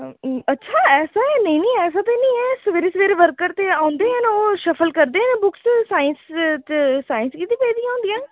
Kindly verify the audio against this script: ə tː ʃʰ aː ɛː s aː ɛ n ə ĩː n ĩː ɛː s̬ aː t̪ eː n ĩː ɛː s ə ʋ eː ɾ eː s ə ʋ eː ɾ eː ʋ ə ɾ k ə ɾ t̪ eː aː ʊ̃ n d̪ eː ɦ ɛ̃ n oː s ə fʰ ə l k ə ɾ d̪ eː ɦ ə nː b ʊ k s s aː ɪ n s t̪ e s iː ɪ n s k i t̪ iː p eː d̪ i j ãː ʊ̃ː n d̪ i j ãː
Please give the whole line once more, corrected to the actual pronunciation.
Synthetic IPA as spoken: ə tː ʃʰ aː ɛː s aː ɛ n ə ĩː n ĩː ɛː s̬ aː t̪ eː n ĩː ɛː s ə ʋ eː ɾ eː s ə ʋ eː ɾ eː ʋ ə ɾ k ə ɾ t̪ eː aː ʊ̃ n d̪ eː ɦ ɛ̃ n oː ʃ ə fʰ ə l k ə ɾ d̪ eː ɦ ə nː b ʊ k s s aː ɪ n s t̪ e s aː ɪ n s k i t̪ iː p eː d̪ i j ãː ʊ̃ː n d̪ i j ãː